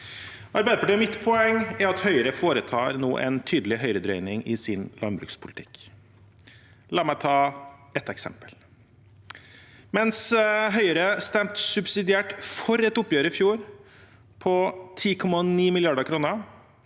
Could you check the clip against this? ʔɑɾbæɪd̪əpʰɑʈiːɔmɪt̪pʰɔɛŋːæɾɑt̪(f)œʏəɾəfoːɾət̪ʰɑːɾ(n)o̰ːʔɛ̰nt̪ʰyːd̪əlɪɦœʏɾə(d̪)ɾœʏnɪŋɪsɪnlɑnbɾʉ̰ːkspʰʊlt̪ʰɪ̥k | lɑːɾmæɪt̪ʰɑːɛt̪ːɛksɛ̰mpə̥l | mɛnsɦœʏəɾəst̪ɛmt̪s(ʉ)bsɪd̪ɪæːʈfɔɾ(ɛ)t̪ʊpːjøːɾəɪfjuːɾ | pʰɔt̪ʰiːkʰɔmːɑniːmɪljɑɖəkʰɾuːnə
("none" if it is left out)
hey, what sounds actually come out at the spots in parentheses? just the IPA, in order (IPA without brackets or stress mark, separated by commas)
h, n, d̪, ʉ, ɛ